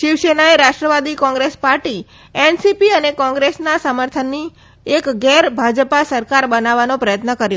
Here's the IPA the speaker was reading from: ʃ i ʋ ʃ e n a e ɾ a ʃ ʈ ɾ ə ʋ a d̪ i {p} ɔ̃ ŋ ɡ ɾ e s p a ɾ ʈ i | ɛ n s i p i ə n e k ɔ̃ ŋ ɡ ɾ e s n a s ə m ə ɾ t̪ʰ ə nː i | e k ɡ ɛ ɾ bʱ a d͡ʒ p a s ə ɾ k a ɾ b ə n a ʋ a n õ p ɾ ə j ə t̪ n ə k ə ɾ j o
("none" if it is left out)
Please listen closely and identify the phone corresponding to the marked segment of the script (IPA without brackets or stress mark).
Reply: k